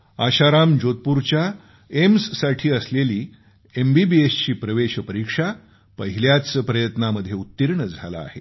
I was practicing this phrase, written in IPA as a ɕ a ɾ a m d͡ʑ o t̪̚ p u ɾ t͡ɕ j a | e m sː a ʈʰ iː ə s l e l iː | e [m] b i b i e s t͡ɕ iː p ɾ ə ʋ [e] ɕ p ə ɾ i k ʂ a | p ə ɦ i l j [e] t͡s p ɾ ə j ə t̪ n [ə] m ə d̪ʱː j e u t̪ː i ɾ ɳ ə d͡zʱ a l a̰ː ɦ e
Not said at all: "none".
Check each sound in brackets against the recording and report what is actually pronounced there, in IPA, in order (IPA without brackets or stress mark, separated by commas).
m, e, a, a